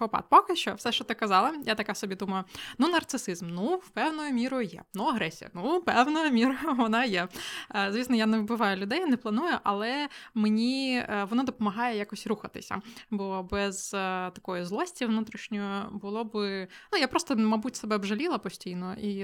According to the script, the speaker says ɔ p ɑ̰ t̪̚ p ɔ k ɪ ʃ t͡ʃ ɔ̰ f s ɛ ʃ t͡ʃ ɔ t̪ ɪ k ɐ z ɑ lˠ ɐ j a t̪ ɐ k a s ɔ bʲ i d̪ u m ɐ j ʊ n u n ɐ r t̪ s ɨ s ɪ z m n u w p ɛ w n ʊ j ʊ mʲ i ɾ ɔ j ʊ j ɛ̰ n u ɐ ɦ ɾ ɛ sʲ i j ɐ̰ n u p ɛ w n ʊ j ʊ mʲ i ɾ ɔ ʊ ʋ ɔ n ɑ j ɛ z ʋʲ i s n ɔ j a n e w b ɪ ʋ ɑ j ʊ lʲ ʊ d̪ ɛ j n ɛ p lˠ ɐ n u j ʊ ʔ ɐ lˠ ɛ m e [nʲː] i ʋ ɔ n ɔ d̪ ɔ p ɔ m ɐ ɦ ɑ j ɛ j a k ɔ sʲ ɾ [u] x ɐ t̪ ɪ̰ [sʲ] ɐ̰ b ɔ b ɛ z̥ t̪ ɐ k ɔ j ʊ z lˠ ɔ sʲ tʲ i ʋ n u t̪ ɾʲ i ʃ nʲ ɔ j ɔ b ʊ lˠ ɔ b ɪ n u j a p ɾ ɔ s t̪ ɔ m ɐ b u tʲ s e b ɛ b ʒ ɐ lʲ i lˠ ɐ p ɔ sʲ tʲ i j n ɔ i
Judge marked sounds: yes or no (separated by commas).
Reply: no, yes, yes